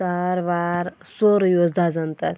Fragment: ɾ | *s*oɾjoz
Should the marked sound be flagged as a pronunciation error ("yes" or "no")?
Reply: no